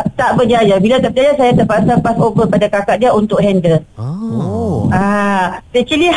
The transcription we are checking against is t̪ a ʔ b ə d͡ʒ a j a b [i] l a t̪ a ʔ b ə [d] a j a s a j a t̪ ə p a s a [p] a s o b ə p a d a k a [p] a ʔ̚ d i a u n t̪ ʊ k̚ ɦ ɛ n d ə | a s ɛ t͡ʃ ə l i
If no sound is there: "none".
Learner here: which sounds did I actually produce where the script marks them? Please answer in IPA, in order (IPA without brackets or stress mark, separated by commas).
i, d͡ʒ, p, k